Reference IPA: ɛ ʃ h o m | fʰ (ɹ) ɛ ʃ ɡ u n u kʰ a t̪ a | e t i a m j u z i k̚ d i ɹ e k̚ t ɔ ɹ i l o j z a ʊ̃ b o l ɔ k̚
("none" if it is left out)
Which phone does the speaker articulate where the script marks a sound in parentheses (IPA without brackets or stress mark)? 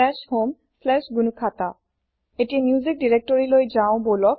l